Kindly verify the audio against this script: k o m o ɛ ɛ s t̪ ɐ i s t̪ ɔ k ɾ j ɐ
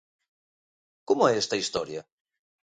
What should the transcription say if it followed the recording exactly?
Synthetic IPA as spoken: k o m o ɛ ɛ s t̪ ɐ i s t̪ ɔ ɾ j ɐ